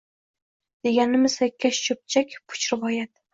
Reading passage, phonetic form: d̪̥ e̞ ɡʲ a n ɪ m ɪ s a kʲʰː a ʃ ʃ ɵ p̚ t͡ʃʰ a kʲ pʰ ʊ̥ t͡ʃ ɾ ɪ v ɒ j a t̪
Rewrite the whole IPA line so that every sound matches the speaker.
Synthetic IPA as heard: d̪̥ e̞ ɡʲ a n ɪ m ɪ s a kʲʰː a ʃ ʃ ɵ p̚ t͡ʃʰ a kʲ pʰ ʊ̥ t͡ʃ ɾ ɪ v ɒ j a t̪